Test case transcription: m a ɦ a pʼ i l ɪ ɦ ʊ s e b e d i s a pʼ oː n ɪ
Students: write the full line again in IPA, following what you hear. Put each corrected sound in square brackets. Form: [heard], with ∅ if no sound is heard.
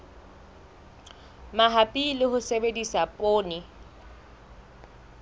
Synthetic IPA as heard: m a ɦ a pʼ i l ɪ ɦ ʊ s e b e d i s a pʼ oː n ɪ